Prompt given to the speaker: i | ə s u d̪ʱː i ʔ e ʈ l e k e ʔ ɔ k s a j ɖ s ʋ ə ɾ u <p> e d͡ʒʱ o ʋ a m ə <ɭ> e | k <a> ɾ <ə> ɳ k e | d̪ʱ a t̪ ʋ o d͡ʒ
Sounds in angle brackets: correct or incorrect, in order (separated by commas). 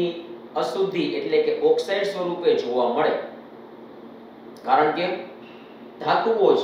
correct, correct, correct, correct